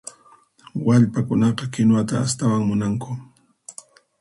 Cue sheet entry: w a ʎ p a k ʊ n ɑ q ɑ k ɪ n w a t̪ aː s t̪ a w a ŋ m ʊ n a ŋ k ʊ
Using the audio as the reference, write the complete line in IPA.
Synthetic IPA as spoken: w a ʎ p a k ʊ n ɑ q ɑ k ɪ n w a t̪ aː s t̪ a w a ŋ m ʊ n a ŋ k ʊ

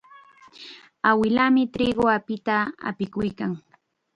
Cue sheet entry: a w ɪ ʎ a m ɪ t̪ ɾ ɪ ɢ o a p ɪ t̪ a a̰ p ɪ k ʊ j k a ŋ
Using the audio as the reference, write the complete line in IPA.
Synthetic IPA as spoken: a w ɪ l a m ɪ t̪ ɾ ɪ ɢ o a p ɪ t̪ a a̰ p ɪ k ʊ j k a ŋ

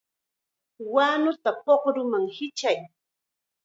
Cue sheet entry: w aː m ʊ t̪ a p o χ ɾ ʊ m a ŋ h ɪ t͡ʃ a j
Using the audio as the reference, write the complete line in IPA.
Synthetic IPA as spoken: w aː n ʊ t̪ a p o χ ɾ ʊ m a ŋ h ɪ t͡ʃ a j

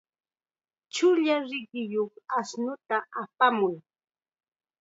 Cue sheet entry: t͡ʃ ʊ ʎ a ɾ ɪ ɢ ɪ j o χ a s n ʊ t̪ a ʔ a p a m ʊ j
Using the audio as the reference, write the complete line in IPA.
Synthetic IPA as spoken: t͡ʃ ʊ ʎ a ɾ ɪ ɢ ɪ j o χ a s n ʊ t̪ a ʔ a p a m ʊ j

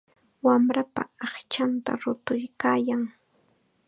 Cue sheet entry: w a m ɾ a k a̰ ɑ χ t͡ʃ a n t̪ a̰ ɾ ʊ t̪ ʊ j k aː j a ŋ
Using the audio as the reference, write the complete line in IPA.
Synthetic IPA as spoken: w a m ɾ a p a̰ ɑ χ t͡ʃ a n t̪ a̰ ɾ ʊ t̪ ʊ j k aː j a ŋ

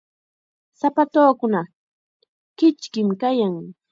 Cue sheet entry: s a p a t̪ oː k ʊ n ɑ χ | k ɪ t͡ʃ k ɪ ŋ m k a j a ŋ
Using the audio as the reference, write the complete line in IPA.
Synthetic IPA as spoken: s a p a t̪ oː k ʊ n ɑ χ | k ɪ t͡ʃ k ɪ m k a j a ŋ

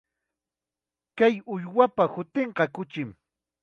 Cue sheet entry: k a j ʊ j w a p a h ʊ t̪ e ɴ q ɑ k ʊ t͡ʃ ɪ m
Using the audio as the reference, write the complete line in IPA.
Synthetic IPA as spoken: k a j ʊ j w a p a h ʊ t̪ e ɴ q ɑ k ʊ t͡ʃ ɪ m

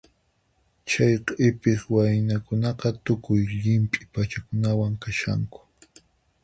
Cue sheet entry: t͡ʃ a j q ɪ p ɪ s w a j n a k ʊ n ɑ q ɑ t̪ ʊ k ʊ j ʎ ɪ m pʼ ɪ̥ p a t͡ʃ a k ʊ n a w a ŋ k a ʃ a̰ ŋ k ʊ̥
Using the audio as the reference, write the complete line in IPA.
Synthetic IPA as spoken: t͡ʃ a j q ɪ p ɪ s w a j n a k ʊ n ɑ q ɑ t̪ ʊ k ʊ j ʎ ɪ m pʼ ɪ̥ p a t͡ʃ a k ʊ n a w a ŋ k a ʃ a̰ ŋ k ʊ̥

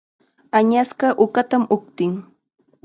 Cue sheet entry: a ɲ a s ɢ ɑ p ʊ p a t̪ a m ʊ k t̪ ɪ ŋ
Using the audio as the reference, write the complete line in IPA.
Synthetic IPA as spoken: a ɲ a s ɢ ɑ ʔ ʊ k a t̪ a m ʊ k t̪ ɪ ŋ

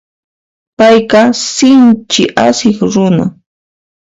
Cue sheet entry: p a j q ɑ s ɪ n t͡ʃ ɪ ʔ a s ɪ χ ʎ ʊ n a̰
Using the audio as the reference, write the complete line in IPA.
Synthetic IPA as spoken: p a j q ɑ s ɪ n t͡ʃ ɪ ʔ a s ɪ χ ɾ ʊ n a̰

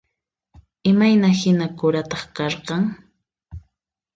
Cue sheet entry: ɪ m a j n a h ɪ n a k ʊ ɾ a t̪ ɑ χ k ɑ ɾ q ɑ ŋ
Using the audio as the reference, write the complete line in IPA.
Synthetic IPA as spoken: ɪ m a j n a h ɪ n a k ʊ ɾ a t̪ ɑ χ k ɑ ɾ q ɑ ŋ

